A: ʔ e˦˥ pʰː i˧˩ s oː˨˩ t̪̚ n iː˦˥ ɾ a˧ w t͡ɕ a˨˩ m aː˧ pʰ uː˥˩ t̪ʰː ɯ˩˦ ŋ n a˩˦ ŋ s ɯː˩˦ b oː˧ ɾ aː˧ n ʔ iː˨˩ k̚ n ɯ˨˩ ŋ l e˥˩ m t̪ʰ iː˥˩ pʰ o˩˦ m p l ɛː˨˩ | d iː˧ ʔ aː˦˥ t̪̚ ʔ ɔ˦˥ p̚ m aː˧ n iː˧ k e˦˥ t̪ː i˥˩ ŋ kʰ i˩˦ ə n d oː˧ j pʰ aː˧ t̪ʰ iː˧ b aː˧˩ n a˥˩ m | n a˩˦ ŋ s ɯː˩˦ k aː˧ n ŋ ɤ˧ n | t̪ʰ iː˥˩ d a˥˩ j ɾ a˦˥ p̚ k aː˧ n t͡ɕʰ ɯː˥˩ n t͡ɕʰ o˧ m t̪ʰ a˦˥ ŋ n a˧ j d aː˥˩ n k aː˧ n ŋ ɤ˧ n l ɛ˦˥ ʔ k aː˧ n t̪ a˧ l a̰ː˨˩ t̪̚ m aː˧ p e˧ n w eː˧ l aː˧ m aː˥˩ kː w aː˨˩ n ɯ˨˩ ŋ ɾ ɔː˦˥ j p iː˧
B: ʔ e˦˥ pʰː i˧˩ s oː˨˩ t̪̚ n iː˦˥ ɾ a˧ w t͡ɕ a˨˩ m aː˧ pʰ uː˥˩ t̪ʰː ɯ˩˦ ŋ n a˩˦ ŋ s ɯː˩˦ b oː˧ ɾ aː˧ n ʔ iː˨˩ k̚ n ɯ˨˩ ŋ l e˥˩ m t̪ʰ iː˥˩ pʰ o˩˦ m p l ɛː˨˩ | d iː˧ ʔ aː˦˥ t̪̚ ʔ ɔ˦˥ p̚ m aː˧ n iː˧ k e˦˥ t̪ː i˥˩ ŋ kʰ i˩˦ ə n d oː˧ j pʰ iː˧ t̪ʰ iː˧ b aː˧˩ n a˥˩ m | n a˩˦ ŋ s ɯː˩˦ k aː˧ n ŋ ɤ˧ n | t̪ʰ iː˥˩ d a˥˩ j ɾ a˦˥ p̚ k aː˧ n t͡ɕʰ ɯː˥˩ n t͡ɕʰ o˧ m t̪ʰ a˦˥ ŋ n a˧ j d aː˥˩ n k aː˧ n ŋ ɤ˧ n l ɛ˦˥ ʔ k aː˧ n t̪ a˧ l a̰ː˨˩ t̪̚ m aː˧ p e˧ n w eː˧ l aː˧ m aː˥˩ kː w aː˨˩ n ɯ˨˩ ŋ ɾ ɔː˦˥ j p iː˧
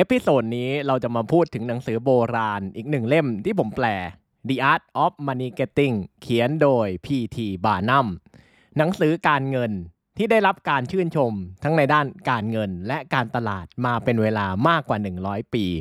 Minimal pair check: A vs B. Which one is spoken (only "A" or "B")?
B